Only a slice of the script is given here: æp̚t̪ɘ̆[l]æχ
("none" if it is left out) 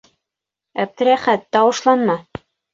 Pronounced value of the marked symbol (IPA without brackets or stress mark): ɾ